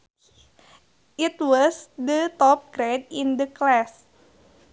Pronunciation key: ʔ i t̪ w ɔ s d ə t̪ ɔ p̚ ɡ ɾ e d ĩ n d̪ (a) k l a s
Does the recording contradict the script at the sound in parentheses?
yes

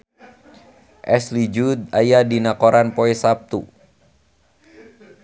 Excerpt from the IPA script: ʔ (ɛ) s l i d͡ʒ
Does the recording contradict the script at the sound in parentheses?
no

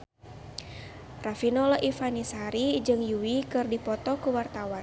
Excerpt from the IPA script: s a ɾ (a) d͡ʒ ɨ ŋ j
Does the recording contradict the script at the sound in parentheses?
yes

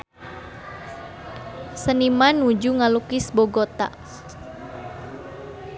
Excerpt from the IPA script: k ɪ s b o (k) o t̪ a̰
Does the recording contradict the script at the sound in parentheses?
yes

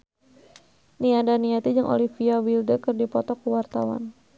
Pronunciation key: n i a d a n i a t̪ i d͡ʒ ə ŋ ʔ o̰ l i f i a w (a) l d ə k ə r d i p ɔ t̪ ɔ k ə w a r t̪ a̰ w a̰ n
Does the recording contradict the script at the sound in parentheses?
yes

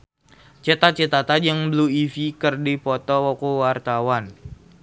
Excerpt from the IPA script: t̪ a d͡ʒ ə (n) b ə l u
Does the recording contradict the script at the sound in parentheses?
yes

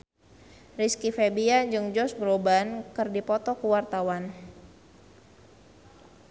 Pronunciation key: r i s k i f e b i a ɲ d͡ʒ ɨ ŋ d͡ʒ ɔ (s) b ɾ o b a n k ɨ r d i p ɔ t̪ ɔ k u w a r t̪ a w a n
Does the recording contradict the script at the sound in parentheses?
no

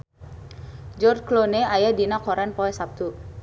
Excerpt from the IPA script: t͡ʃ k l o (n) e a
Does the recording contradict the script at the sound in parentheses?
no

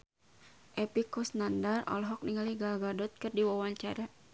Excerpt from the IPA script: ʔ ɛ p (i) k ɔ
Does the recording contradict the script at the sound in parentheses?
no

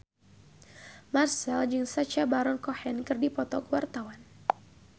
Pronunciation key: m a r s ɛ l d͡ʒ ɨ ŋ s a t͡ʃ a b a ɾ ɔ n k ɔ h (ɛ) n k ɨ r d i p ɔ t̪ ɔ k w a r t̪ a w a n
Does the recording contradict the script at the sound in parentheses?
no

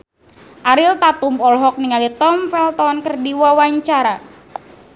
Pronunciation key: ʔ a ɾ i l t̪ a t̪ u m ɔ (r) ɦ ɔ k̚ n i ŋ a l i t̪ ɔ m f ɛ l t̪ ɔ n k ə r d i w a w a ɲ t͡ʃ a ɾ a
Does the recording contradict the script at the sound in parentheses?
yes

